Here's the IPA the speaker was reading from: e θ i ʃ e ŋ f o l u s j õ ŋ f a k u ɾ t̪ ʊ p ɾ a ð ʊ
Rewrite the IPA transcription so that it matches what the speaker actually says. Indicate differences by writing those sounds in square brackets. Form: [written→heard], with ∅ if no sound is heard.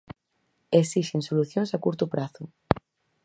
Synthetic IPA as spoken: e [θ→s] i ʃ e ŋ [f→s] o l u [s→θ] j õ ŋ [f→s] a k u ɾ t̪ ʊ p ɾ a [ð→θ] ʊ

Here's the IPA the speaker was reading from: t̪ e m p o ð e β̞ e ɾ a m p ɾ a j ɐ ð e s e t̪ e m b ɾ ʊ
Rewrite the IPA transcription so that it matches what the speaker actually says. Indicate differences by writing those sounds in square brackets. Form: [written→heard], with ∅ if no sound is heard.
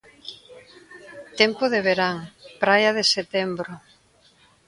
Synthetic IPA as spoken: t̪ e m p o ð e β̞ e ɾ a [m→ŋ] p ɾ a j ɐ ð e s e t̪ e m b ɾ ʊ

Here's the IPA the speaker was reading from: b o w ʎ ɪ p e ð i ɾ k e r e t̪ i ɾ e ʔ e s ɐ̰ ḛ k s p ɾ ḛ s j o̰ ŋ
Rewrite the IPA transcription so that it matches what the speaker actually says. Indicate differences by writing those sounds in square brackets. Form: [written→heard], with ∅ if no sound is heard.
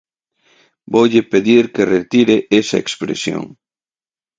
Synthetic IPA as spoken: b o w ʎ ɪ p e ð i ɾ k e r e t̪ i ɾ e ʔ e s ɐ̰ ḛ k s p ɾ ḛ s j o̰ ŋ

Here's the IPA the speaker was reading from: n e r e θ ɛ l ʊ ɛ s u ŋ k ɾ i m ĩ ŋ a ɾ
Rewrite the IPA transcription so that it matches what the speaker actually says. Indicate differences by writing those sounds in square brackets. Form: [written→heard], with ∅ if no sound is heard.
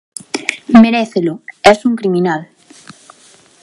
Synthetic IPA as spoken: [n→m] e [r→ɾ] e θ [ɛ→e] l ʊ ɛ s u ŋ k ɾ i m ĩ [ŋ→n] a [ɾ→l]

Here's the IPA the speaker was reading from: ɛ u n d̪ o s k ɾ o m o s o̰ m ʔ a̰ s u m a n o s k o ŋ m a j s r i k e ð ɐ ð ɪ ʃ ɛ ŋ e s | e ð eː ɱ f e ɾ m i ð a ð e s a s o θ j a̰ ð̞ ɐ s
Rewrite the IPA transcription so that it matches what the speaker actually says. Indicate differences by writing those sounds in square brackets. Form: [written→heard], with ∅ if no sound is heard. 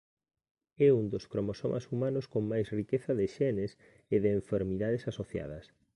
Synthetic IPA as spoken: ɛ u n d̪ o s k ɾ o m o s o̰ m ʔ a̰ s u m a n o s k o ŋ m a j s r i k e [ð→θ] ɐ ð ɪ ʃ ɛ [ŋ→n] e s | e ð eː ɱ f e ɾ m i ð a ð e s a s o θ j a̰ ð̞ ɐ s

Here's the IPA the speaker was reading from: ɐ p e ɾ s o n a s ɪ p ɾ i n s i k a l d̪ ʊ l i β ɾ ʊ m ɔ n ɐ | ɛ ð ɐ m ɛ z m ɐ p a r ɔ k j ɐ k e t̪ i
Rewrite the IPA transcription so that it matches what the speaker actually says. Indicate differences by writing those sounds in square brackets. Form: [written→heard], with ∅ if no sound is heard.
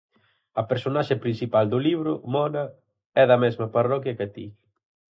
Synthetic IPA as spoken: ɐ p e ɾ s o n a [s→ʃ] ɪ p ɾ i n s i [k→p] a l d̪ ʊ l i β ɾ ʊ m ɔ n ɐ | ɛ ð ɐ m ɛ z m ɐ p a r ɔ k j ɐ k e t̪ i

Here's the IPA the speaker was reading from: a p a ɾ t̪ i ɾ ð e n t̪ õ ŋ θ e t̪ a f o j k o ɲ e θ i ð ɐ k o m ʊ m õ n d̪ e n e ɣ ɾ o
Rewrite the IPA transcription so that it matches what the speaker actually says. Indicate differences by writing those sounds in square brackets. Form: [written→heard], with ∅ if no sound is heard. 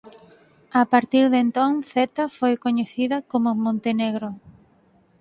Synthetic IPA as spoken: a p a ɾ t̪ i ɾ ð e n t̪ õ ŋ θ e t̪ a f o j k o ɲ e θ i ð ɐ k o m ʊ m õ n [d̪→t̪] e n e ɣ ɾ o

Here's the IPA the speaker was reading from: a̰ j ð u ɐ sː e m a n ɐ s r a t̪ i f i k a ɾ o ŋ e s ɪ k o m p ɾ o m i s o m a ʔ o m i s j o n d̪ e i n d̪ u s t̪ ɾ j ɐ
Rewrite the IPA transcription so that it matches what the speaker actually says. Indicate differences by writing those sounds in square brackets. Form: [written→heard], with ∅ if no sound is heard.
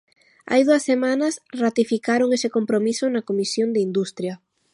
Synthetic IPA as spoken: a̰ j ð u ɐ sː e m a n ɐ s r a t̪ i f i k a ɾ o ŋ e s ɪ k o m p ɾ o m i s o [m→n] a [ʔ→k] o m i s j o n d̪ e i n d̪ u s t̪ ɾ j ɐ

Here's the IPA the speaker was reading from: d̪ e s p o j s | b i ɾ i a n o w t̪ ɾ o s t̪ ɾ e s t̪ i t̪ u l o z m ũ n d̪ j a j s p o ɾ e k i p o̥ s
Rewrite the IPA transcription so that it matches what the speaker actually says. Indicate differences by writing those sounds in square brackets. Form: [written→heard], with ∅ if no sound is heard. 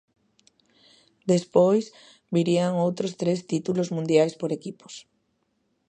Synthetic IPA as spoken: d̪ e s p o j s | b i ɾ i a [n→ŋ] o w t̪ ɾ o s t̪ ɾ e s t̪ i t̪ u l o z m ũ n d̪ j a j s p o ɾ e k i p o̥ s

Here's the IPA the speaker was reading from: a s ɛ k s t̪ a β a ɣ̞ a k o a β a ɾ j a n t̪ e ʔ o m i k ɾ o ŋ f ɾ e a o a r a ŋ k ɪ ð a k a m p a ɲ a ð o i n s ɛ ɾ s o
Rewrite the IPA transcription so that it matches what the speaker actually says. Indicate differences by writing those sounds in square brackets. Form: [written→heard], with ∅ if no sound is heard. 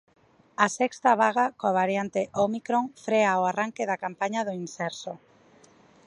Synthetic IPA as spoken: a s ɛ k s t̪ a β a ɣ̞ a k o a β a ɾ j a n t̪ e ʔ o m i k ɾ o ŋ f ɾ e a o a r a ŋ k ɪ ð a k a m p a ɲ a ð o i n s ɛ ɾ s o

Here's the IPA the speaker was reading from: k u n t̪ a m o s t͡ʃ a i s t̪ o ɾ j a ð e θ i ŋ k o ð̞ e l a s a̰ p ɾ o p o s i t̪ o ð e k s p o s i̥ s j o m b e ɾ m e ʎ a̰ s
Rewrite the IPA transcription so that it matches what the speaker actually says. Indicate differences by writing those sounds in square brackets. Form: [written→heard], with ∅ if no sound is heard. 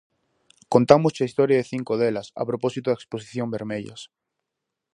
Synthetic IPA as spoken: k [u→o] n t̪ a m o s t͡ʃ a i s t̪ o ɾ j a ð e θ i ŋ k o ð̞ e l a s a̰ p ɾ o p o s i t̪ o ð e k s p o s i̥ [s→θ] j o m b e ɾ m e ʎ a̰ s

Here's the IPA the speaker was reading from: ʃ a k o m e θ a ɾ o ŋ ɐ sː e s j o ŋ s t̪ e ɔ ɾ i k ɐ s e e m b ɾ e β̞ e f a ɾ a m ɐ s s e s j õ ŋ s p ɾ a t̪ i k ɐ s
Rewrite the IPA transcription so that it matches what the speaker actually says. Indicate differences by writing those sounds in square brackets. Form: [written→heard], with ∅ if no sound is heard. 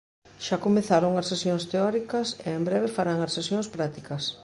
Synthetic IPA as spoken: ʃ a k o m e θ a ɾ o ŋ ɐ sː e s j o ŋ s t̪ e ɔ ɾ i k ɐ s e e m b ɾ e β̞ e f a ɾ a [m→ŋ] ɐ s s e s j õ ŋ s p ɾ a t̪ i k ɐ s

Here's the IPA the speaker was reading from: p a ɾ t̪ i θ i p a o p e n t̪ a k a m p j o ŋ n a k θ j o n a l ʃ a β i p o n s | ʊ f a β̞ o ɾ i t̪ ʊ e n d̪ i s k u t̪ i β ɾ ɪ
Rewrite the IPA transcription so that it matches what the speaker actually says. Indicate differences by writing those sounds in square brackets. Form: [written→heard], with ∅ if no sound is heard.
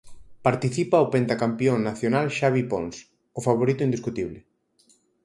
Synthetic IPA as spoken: p a ɾ t̪ i θ i p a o p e n t̪ a k a m p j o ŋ n a [k→∅] θ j o n a l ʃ a β i p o n s | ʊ f a β̞ o ɾ i t̪ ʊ [e→i] n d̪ i s k u t̪ i β [ɾ→l] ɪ

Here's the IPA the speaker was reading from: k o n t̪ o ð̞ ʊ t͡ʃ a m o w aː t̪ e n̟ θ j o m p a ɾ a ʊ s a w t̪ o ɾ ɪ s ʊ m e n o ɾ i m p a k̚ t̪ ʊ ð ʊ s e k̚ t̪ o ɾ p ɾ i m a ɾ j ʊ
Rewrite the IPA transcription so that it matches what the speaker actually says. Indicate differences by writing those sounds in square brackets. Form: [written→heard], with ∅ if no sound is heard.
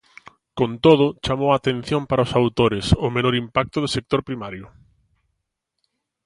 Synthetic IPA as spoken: k o n t̪ o ð̞ ʊ t͡ʃ a m o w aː t̪ e n̟ θ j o m p a ɾ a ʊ s a w t̪ o ɾ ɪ s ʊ m e n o ɾ i m p a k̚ t̪ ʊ ð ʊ s e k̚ t̪ o ɾ p ɾ i m a ɾ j ʊ

